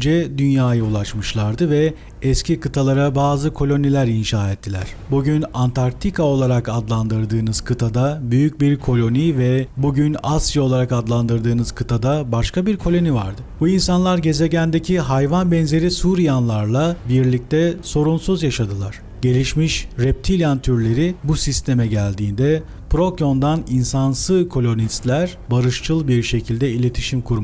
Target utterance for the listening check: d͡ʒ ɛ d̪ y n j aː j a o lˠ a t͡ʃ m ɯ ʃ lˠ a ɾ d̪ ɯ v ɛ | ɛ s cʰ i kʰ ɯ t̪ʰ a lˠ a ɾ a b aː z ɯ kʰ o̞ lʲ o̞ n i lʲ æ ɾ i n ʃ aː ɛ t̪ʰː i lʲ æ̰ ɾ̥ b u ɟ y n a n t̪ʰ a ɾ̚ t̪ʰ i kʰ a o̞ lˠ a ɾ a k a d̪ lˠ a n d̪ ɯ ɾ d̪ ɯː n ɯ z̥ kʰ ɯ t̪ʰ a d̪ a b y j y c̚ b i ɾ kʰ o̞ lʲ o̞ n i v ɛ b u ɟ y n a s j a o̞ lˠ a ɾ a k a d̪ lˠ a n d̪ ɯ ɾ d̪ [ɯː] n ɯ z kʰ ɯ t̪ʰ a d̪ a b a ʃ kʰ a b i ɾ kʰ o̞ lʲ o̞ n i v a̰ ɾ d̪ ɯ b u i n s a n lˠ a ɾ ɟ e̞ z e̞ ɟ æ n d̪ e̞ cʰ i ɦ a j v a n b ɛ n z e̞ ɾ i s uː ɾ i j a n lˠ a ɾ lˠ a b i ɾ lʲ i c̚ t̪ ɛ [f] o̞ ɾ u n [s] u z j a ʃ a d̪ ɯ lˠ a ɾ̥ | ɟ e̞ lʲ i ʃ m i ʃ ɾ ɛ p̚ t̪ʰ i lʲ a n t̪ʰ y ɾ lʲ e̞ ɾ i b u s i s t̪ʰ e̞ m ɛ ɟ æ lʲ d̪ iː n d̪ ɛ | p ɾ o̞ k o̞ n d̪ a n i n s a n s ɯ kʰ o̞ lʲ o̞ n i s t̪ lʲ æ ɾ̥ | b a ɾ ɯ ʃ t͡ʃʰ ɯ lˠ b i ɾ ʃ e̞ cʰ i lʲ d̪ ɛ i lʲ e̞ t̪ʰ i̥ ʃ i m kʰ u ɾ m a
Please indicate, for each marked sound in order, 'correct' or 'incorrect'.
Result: correct, incorrect, correct

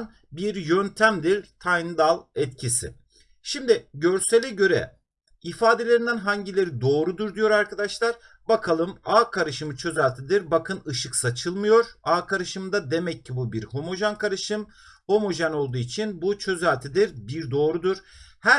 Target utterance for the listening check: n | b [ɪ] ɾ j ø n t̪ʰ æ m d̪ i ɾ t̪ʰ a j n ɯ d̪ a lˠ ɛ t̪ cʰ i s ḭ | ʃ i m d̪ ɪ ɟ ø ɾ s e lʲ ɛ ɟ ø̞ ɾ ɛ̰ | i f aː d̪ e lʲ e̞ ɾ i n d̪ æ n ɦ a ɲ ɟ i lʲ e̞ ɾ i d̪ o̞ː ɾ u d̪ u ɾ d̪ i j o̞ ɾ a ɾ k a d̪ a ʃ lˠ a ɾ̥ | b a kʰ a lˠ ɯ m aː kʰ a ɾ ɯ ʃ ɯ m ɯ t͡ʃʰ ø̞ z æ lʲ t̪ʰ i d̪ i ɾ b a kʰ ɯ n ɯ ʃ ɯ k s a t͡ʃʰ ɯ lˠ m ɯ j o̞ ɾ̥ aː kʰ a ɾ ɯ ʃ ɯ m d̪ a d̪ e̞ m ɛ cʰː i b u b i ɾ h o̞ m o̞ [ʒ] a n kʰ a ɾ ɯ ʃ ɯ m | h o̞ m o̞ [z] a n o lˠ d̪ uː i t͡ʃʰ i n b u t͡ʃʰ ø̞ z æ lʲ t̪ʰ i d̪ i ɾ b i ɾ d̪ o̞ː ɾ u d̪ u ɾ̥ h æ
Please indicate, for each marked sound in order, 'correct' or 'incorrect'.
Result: incorrect, correct, incorrect

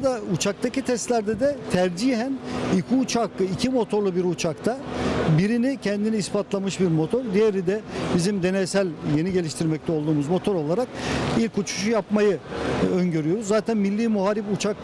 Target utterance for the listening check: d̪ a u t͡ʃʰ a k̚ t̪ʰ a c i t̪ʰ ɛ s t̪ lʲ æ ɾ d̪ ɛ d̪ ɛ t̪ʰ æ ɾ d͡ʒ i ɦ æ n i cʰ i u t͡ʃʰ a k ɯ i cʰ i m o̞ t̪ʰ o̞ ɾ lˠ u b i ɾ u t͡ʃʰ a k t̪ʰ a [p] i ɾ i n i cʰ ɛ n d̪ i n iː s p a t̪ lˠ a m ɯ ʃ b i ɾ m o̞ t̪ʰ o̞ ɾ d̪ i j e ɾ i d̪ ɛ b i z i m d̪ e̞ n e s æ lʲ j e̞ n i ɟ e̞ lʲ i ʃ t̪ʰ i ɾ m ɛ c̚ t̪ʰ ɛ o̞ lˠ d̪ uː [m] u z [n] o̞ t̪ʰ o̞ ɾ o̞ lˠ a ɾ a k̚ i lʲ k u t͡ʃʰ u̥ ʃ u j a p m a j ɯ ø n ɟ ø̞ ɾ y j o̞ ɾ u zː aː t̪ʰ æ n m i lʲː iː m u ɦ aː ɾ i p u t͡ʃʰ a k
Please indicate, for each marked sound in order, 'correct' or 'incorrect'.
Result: incorrect, correct, incorrect

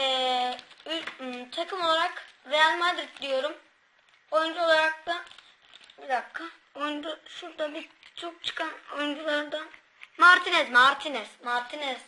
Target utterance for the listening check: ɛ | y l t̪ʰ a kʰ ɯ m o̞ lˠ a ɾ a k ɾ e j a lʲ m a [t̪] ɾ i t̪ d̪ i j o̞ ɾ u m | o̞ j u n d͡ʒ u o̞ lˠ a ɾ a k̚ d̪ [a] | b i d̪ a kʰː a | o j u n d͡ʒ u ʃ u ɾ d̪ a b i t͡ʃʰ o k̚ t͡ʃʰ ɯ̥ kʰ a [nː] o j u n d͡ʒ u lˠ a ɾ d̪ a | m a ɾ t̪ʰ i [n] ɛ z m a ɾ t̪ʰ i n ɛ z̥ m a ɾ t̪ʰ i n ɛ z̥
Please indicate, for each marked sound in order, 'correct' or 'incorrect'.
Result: incorrect, correct, incorrect, correct

